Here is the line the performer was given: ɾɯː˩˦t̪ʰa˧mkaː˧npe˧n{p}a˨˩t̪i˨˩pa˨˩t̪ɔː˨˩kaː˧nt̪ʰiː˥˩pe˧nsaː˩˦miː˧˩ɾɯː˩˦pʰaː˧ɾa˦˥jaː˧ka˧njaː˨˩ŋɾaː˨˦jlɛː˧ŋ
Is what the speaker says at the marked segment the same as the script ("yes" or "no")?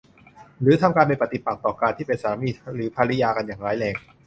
yes